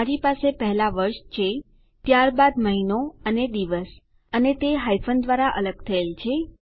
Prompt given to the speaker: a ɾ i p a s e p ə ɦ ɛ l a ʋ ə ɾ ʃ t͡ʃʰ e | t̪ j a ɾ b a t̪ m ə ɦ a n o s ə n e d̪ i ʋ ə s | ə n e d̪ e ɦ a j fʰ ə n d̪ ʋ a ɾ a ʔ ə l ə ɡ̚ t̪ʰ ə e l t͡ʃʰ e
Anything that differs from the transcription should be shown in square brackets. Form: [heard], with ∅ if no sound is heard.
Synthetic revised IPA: a ɾ i p a s e p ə ɦ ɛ l a ʋ ə ɾ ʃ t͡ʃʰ e | t̪ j a ɾ b a [d̪] m ə ɦ [i] n o [∅] ə n e d̪ i ʋ ə s | ə n e [t̪] e ɦ a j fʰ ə n d̪ ʋ a ɾ a ʔ ə l ə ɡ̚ t̪ʰ ə e l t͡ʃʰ e